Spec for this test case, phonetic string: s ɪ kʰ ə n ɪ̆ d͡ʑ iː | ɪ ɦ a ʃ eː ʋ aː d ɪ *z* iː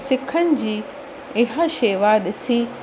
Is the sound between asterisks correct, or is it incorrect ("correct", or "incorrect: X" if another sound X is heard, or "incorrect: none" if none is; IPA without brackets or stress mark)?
incorrect: s